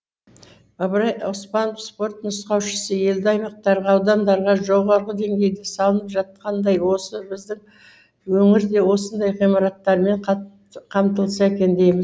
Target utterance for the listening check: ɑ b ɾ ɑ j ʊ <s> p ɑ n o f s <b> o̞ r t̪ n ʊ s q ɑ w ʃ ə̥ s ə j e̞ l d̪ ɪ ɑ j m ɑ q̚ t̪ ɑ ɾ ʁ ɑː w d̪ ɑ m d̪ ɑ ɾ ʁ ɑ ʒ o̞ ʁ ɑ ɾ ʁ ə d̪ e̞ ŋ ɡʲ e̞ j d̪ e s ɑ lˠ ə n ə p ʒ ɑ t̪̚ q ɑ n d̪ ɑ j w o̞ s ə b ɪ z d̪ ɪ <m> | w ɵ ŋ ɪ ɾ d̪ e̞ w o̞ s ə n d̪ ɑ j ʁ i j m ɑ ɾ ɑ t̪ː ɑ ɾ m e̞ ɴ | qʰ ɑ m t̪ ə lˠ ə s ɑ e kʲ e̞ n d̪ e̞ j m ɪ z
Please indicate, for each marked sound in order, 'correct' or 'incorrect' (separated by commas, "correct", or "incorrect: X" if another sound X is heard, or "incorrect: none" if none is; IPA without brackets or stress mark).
correct, incorrect: p, incorrect: ŋ